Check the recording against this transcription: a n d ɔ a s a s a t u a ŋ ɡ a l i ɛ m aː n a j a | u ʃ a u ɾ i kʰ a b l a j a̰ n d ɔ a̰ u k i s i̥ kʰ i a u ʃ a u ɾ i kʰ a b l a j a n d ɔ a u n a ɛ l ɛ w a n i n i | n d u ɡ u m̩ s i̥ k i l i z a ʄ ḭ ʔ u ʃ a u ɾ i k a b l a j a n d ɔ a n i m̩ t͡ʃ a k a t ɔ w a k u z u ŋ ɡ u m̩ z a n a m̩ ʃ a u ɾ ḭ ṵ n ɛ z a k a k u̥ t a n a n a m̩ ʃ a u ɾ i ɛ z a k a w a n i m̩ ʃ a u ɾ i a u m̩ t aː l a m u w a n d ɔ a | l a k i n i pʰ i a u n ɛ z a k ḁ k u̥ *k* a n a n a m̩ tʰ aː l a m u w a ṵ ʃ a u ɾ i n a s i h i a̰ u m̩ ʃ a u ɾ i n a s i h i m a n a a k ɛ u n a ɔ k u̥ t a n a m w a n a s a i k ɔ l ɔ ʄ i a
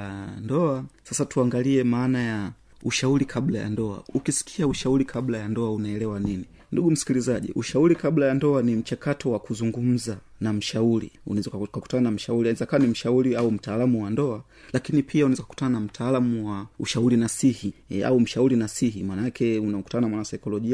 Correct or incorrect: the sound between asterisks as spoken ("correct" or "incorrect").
incorrect